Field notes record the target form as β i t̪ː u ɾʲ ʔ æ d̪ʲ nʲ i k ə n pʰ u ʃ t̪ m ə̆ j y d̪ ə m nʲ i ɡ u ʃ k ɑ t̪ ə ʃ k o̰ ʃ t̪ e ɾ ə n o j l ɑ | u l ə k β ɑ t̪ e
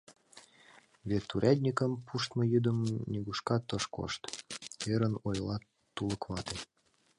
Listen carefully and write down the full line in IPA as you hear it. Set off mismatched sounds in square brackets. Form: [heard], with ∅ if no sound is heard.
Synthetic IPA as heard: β [e] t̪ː u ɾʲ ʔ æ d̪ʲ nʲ i k ə [m] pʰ u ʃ t̪ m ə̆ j y d̪ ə m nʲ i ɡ u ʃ k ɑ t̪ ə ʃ k o̰ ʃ t̪ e ɾ ə n o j l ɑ | u l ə k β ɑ t̪ e

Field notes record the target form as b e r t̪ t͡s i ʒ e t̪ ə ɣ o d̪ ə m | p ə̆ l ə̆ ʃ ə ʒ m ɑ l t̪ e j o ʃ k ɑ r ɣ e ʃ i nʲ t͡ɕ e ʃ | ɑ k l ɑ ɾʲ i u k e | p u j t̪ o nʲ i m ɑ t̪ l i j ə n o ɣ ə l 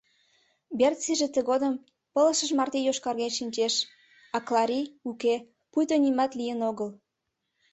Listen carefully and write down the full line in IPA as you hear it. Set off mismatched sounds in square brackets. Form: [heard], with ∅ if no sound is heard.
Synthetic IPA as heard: b e r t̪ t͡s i ʒ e t̪ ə ɣ o d̪ ə m | p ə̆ l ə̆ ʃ ə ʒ m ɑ [r] t̪ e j o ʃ k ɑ r ɣ e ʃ i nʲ t͡ɕ e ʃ | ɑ k l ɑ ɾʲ i u k e | p u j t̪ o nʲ i m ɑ t̪ l i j ə n o ɣ ə l

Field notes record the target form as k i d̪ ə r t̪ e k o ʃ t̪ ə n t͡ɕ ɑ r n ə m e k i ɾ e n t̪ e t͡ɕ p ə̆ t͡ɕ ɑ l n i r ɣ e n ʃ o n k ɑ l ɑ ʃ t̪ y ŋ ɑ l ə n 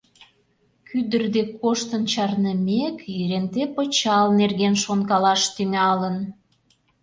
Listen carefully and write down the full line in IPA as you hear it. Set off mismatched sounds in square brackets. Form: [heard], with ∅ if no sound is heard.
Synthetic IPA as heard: k [y] d̪ ə r [d̪] e k o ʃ t̪ ə n t͡ɕ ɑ r n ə m e k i ɾ e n t̪ e [∅] p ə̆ t͡ɕ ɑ l n [e] r ɣ e n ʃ o n k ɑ l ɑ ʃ t̪ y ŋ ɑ l ə n

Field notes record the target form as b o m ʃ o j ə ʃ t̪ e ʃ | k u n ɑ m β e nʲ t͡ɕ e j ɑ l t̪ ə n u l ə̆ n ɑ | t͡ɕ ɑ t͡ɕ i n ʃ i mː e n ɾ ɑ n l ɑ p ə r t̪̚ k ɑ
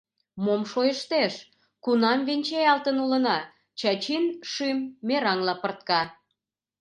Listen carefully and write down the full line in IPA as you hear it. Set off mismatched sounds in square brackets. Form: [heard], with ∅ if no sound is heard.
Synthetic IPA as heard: [m] o m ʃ o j ə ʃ t̪ e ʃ | k u n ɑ m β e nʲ t͡ɕ e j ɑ l t̪ ə n u l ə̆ n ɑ | t͡ɕ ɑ t͡ɕ i n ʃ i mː e [∅] ɾ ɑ [ŋ] l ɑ p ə r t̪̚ k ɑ

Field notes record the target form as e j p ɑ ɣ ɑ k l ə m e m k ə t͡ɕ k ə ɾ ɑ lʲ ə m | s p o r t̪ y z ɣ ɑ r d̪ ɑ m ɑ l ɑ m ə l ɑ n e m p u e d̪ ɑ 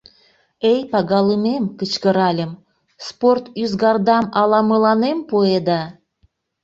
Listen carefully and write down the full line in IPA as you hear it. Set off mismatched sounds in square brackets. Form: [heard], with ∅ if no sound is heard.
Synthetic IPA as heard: e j p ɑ ɣ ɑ [∅] l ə m e m k ə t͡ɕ k ə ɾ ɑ lʲ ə m | s p o r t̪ y z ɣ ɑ r d̪ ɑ m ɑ l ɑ m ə l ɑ n e m p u e d̪ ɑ

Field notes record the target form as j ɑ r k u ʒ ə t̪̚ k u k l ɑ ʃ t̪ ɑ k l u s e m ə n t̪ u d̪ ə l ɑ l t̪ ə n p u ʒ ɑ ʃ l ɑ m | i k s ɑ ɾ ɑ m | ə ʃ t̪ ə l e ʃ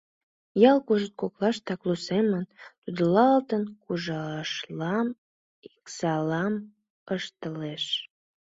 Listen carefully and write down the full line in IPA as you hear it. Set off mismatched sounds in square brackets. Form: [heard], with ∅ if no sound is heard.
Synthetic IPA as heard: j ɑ [l] k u ʒ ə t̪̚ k [o] k l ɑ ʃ t̪ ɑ k l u s e m ə n t̪ u d̪ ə l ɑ l t̪ ə n [k] u ʒ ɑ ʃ l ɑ m | i k s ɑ [l] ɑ m | ə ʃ t̪ ə l e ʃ

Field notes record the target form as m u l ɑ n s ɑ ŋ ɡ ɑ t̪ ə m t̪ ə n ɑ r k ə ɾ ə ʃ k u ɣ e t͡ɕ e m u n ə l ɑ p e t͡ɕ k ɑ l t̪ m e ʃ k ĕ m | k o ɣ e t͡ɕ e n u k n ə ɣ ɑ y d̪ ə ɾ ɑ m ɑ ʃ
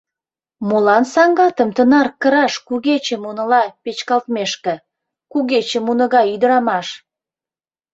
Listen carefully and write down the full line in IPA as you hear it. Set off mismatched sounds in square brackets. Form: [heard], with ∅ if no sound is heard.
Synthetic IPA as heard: m u l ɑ n s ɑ ŋ ɡ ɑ t̪ ə m t̪ ə n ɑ r k ə ɾ [ɑ] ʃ k u ɣ e t͡ɕ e m u n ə l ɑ p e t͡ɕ k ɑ l t̪ m e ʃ k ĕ [∅] | k [u] ɣ e t͡ɕ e [m] u [∅] n ə ɣ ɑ y d̪ ə ɾ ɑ m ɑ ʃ

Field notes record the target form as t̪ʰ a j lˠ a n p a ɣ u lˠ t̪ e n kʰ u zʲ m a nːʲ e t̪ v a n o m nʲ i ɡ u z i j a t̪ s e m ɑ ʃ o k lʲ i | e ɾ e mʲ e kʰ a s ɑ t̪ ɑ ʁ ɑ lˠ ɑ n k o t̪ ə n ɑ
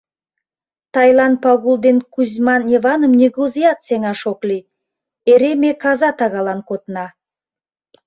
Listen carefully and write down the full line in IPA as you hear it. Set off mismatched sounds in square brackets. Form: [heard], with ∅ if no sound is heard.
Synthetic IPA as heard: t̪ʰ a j lˠ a n p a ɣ u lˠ [d̪] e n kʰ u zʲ m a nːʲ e [∅] v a n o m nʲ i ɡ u z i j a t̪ s e [ŋ] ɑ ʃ o k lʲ i | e ɾ e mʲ e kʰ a [z] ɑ t̪ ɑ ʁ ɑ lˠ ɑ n k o t̪ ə n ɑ

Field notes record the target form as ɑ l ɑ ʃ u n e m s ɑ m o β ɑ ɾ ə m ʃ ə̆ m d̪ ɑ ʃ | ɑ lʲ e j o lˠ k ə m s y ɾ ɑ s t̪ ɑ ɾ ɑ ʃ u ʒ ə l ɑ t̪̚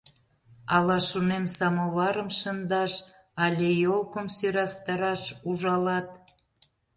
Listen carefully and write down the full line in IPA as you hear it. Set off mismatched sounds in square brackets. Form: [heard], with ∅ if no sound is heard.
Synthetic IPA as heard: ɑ l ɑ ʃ u n e m s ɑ m o β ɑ ɾ ə m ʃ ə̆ [n] d̪ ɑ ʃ | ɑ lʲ e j o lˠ k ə m s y ɾ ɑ s t̪ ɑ ɾ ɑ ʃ u ʒ [ɑ] l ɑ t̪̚

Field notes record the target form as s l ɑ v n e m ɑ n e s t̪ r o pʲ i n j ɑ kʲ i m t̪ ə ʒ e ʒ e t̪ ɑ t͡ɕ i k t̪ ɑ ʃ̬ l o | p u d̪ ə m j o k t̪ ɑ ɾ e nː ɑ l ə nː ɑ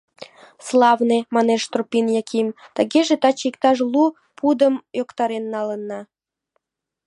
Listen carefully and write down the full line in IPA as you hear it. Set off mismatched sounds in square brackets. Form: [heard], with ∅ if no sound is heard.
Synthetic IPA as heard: s l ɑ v n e m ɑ n e [ʃ] t̪ r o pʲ i n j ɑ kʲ i m t̪ ə [ɣ] e ʒ e t̪ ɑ t͡ɕ i k t̪ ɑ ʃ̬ l [u] | p u d̪ ə m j o k t̪ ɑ ɾ e nː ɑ l ə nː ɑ

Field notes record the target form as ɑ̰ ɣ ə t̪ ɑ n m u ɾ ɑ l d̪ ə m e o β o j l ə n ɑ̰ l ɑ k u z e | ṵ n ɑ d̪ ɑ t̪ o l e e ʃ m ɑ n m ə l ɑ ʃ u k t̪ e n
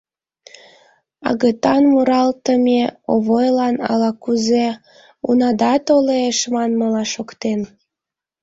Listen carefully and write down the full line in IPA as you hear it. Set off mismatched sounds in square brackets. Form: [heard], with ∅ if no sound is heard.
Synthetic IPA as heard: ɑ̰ ɣ ə t̪ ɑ n m u ɾ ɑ l [t̪] ə m e o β o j l [ɑ] n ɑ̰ l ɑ k u z e | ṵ n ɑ d̪ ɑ t̪ o l e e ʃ m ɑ n m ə l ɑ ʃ [o] k t̪ e n

